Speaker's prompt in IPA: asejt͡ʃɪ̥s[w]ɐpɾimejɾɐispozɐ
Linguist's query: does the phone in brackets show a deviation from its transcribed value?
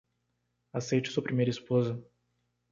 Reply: yes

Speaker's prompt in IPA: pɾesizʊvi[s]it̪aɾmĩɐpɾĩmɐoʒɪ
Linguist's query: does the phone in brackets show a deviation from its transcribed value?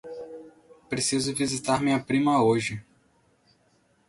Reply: yes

